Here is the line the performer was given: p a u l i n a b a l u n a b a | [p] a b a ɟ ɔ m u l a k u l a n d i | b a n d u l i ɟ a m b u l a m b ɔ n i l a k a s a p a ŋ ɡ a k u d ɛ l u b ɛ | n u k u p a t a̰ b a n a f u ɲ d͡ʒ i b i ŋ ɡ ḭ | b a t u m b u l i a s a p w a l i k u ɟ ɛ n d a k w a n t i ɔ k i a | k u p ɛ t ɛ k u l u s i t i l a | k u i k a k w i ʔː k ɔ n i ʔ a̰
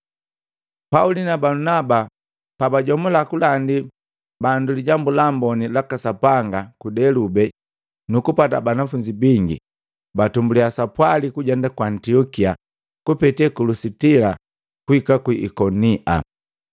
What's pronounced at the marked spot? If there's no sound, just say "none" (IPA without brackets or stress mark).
p